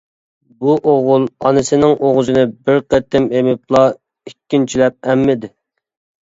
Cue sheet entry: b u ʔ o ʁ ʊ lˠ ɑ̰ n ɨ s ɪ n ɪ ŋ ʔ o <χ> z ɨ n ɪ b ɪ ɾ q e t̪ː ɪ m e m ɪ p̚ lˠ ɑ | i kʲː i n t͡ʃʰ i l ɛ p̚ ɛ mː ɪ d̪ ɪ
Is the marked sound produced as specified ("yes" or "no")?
no